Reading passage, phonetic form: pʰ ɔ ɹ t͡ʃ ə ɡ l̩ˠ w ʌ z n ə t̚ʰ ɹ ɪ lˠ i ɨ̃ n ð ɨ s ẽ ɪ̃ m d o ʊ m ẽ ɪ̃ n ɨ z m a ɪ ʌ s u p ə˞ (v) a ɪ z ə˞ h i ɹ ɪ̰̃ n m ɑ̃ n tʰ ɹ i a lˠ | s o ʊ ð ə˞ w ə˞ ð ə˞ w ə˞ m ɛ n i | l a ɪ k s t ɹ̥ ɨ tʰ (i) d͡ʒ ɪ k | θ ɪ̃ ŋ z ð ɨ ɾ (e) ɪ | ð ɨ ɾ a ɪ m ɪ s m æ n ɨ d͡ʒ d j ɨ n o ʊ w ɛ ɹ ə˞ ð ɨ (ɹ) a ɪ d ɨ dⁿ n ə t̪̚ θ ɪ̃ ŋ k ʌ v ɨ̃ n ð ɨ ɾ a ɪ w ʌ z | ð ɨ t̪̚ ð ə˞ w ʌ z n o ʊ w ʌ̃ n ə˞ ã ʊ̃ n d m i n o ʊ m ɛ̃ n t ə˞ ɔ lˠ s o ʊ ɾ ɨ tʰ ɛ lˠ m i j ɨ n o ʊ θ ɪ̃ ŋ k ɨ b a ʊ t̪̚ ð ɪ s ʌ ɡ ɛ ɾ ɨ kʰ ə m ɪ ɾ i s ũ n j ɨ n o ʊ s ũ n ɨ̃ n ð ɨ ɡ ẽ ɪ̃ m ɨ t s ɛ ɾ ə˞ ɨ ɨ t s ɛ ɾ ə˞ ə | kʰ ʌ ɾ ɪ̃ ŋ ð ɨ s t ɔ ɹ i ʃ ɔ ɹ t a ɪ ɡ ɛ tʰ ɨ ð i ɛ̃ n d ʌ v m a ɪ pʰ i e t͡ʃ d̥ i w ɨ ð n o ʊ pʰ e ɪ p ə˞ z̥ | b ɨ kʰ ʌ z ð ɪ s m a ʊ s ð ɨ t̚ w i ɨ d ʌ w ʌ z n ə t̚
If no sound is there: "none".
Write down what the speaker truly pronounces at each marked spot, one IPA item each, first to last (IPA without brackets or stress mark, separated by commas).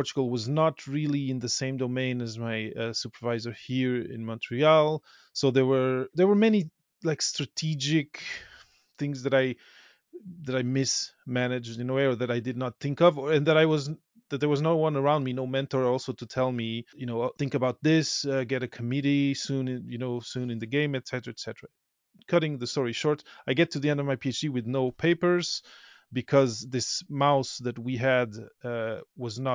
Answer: v, i, a, ɾ